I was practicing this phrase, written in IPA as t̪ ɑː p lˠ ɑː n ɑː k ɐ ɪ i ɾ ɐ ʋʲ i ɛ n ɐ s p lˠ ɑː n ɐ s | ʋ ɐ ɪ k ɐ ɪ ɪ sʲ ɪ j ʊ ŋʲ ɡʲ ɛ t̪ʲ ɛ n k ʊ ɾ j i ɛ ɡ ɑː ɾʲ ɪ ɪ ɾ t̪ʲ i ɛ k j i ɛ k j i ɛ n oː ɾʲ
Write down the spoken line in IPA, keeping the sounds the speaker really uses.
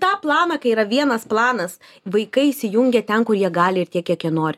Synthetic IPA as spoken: t̪ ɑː p lˠ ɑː n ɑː k ɐ ɪ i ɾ ɐ ʋʲ i ɛ n ɐ s p lˠ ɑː n ɐ s | ʋ ɐ ɪ k ɐ ɪ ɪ sʲ ɪ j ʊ ŋʲ ɡʲ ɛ t̪ʲ ɛ n k ʊ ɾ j i ɛ ɡ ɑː lʲ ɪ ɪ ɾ t̪ʲ i ɛ k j i ɛ k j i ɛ n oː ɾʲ